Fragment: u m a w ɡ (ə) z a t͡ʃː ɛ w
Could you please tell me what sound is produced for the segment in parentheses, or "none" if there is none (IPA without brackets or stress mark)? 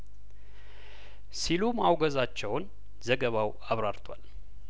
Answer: ə